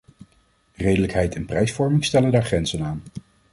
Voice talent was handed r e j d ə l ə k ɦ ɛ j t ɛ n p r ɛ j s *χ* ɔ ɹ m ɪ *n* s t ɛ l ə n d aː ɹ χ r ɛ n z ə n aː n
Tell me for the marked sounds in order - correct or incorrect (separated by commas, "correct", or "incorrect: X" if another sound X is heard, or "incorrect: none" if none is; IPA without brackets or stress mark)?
incorrect: f, incorrect: ŋ